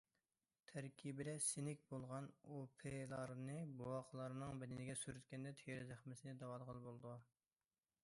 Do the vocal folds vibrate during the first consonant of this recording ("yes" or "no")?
no